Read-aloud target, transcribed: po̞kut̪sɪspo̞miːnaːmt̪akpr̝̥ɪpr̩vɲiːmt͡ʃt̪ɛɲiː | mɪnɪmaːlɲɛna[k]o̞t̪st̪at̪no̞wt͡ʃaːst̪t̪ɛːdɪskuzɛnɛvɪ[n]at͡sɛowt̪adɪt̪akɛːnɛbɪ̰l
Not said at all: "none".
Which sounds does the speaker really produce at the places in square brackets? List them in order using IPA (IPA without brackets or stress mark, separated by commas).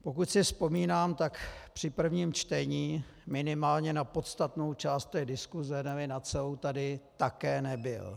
p, n